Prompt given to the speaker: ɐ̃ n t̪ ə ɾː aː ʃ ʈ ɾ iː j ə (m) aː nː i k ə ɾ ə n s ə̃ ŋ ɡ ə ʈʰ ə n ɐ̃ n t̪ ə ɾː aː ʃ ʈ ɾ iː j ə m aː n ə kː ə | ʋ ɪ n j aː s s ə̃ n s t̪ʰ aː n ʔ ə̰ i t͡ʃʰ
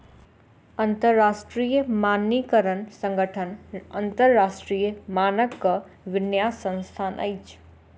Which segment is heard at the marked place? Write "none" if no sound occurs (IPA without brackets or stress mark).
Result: m